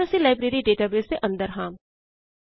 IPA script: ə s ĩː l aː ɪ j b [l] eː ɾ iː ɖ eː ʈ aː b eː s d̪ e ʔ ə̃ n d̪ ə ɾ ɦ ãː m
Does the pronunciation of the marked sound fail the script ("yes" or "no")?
yes